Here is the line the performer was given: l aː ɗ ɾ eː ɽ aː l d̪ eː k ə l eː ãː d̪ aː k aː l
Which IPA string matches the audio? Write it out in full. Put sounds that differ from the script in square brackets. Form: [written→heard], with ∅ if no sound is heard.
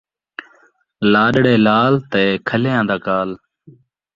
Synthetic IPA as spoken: l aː ɗ [ɾ→ɽ] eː [ɽ→l] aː l [d̪→t̪] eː [k→kʰ] ə l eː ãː d̪ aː k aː l